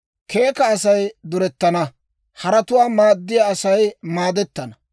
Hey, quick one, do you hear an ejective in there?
no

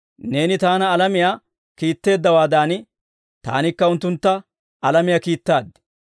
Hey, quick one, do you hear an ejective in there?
no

